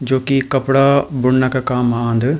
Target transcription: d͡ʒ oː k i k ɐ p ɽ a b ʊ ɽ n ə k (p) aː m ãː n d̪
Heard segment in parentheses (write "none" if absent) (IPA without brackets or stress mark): k